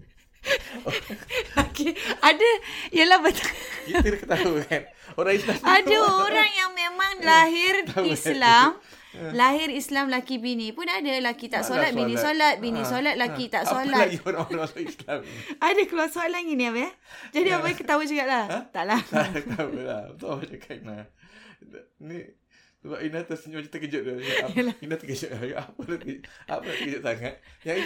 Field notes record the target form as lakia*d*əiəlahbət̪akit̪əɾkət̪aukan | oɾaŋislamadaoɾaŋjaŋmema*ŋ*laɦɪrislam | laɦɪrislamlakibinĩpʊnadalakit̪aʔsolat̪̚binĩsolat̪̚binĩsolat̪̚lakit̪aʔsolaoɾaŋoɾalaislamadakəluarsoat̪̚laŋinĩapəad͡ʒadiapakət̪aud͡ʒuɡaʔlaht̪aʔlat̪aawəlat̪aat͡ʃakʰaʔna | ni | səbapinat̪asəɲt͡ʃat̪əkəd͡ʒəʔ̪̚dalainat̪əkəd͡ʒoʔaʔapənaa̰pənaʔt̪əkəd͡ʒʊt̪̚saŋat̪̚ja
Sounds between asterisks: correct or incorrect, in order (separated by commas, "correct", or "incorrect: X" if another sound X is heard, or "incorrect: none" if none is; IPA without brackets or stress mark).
correct, correct